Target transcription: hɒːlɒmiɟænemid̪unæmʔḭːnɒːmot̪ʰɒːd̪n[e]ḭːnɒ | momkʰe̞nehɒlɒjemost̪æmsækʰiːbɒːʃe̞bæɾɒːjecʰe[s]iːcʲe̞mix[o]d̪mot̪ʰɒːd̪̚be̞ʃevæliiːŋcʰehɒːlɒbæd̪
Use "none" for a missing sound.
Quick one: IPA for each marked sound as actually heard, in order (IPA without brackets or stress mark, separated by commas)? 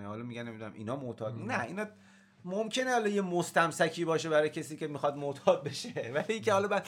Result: æ, s, ɒ